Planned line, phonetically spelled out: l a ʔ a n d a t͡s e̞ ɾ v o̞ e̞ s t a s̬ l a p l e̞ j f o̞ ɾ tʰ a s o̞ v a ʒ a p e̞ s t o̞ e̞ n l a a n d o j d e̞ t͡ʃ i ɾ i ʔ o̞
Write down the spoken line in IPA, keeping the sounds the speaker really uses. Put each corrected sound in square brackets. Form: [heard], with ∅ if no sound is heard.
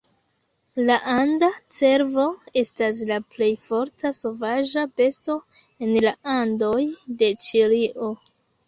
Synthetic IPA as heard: l a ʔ a n d a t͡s e̞ ɾ v o̞ e̞ s t a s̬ l a p l e̞ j f o̞ ɾ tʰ a s o̞ v a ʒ a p e̞ s t o̞ e̞ n l a a n d o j d e̞ t͡ʃ i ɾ i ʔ o̞